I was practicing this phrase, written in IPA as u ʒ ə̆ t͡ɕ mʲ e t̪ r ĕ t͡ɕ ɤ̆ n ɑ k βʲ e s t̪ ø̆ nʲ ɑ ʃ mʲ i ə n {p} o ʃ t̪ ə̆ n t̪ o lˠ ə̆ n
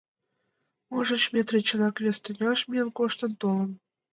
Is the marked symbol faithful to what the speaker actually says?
no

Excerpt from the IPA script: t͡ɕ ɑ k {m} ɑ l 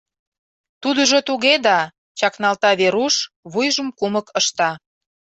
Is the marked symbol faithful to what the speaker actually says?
no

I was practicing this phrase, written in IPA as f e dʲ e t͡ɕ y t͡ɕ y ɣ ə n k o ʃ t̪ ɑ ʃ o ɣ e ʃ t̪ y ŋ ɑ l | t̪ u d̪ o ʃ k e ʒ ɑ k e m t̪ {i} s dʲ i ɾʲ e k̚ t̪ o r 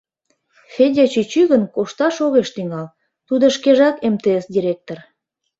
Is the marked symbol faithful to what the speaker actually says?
no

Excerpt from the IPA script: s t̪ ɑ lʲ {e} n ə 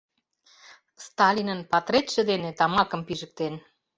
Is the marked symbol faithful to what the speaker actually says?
no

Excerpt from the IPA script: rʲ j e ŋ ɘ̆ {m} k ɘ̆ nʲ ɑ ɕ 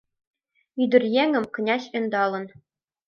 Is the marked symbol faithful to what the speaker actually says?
yes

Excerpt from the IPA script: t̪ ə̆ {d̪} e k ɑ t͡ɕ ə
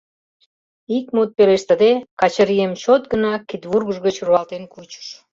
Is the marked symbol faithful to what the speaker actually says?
yes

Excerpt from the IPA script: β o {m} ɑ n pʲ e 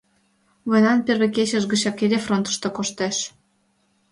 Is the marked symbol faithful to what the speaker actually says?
no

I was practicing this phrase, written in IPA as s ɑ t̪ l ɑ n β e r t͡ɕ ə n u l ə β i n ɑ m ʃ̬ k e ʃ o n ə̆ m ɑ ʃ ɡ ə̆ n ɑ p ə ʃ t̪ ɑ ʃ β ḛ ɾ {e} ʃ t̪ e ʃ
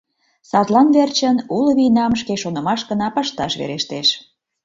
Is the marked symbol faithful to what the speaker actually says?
yes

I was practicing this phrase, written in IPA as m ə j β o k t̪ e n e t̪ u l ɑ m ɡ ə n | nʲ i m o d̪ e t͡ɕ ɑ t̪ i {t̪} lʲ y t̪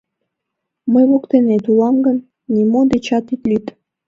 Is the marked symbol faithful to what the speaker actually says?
yes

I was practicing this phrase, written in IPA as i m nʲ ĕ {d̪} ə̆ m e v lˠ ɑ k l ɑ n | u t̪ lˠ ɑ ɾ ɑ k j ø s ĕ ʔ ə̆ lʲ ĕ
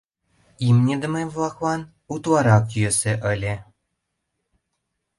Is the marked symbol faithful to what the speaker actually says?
yes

